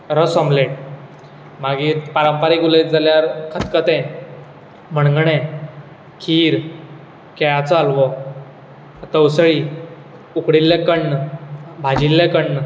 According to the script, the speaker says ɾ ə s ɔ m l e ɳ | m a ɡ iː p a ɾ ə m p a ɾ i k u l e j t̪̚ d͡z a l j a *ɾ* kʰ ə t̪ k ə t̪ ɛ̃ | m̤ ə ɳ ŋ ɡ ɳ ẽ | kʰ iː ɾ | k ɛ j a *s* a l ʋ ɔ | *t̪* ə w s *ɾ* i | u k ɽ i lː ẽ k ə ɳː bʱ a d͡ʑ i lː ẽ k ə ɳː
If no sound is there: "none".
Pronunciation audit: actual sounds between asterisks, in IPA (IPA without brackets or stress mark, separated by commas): ɾ, t͡s, t̪, ɭ